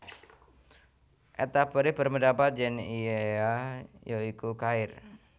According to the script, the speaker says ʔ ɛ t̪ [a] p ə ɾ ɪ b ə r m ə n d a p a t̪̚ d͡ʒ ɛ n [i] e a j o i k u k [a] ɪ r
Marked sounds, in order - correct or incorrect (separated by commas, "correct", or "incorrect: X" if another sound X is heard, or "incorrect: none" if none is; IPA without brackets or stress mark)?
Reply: correct, correct, correct